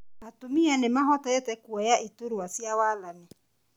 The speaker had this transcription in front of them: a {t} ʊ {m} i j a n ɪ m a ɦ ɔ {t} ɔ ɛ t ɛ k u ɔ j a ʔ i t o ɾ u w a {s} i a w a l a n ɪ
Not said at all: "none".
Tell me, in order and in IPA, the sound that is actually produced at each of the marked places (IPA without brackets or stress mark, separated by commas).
t, m, t, s